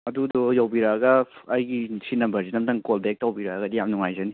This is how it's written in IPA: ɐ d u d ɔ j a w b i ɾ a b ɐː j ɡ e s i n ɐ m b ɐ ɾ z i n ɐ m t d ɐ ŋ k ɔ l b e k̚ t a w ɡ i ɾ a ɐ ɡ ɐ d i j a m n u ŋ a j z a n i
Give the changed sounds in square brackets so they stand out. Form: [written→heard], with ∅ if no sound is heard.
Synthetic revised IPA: ɐ d u d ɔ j a w b i ɾ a [b→ɡ] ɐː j ɡ [e→i] s i n ɐ m b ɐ ɾ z i n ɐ m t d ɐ ŋ k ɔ l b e k̚ t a w [ɡ→b] i ɾ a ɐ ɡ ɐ d i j a m n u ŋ a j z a n i